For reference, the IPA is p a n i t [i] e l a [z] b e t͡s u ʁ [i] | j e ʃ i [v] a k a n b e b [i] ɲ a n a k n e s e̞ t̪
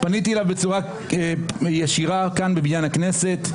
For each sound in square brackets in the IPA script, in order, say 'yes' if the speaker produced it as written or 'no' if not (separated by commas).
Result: yes, no, no, no, yes